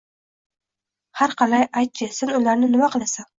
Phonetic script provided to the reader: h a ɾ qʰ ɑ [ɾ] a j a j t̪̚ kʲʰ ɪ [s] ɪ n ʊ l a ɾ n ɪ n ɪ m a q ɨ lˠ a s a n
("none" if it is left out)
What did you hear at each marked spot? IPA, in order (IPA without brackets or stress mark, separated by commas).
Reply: l, s